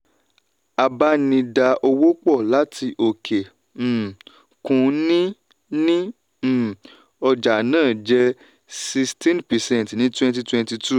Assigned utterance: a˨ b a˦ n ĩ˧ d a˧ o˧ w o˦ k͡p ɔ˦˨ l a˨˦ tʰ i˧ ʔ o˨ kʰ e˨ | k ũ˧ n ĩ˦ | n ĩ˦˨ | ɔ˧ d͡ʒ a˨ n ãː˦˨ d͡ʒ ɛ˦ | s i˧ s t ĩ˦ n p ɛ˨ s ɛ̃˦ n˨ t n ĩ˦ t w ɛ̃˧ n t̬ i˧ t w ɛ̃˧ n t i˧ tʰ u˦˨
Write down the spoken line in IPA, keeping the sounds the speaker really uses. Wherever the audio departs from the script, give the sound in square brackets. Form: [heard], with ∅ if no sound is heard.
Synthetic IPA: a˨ b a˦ n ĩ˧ d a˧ o˧ w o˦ k͡p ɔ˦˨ l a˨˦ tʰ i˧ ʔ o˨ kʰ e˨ | k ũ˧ n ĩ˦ | n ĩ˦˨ | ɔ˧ d͡ʒ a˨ n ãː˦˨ d͡ʒ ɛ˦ | s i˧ s t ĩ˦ n p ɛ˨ s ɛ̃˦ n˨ t n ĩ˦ t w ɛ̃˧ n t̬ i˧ t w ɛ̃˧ n t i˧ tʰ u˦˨